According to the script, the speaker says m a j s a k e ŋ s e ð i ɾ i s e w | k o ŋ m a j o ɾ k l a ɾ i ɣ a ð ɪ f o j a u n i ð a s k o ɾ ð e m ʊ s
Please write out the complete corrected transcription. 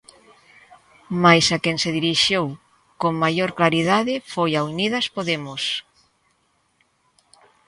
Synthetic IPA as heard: m a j s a k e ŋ s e ð i ɾ i ʃ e w | k o ŋ m a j o ɾ k l a ɾ i ð a ð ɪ f o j a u n i ð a s p o ð e m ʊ s